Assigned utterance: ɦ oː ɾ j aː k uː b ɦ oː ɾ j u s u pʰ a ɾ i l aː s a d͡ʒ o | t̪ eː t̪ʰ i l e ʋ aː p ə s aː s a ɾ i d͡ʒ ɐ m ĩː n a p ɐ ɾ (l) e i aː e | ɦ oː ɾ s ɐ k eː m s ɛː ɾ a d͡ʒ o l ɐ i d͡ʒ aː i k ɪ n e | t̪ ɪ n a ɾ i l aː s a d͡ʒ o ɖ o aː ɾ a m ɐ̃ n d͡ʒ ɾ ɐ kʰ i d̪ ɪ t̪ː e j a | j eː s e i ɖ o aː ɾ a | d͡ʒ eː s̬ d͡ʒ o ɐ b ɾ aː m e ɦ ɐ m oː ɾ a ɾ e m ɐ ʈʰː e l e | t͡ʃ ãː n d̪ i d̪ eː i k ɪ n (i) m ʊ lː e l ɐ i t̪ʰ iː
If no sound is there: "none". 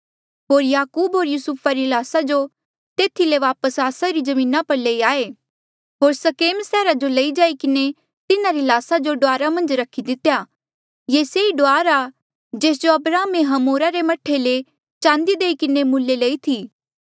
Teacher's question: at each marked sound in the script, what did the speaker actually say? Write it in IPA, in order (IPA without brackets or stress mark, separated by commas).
l, e